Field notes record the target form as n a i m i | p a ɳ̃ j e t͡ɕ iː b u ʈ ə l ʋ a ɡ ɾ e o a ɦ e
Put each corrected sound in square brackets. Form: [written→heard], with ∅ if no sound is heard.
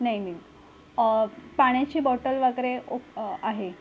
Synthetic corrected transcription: n a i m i | p a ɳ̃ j [e→a] t͡ɕ iː b [u→ɔ] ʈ ə l ʋ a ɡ ɾ e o a ɦ e